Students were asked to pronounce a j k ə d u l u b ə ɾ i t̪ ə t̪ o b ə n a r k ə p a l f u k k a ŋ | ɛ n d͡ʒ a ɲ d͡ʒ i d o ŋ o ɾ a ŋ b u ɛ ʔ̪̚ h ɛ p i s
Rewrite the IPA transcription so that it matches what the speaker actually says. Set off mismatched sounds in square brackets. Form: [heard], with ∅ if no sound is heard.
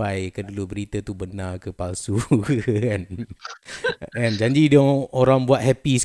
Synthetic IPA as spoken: a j k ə d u l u b ə ɾ i t̪ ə t̪ [u] b ə n a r k ə p a l [s] u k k a [n] | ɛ n d͡ʒ a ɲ d͡ʒ i d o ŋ o ɾ a ŋ b u [a] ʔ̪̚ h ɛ p i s